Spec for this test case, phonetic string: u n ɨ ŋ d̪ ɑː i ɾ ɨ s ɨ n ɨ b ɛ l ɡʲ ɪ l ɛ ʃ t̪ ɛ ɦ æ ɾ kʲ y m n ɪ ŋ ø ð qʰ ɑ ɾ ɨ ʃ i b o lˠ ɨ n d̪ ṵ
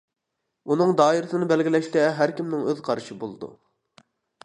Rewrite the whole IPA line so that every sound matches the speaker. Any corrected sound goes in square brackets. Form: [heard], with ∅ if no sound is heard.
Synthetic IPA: u n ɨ ŋ d̪ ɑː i ɾ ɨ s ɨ n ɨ b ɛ l ɡʲ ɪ l ɛ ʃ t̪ ɛ ɦ æ ɾ kʲ [i] m n ɪ ŋ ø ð qʰ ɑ ɾ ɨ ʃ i b o lˠ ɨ [∅] d̪ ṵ